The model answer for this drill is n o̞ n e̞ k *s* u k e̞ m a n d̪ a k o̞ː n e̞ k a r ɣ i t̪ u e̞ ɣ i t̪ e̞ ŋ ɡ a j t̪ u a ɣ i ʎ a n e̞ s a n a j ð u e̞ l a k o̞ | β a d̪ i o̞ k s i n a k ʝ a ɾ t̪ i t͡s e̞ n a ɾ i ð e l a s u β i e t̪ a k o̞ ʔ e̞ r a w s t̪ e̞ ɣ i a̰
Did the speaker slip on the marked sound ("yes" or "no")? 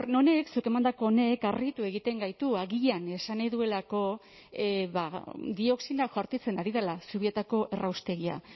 no